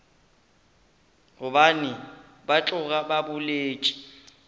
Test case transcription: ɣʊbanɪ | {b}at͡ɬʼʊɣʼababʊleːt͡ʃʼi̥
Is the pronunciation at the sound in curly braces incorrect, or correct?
correct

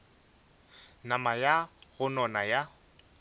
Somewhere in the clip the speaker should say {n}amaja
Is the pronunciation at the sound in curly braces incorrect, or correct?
correct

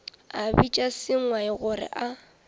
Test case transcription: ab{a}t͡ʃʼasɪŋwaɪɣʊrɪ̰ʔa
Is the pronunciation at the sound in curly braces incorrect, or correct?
incorrect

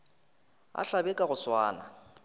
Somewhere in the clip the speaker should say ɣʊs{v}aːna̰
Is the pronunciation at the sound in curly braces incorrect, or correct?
incorrect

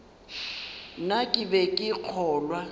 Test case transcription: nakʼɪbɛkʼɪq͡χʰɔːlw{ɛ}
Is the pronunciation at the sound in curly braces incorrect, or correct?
incorrect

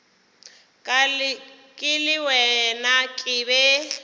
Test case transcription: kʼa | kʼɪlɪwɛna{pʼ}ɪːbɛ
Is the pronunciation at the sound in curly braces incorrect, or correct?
incorrect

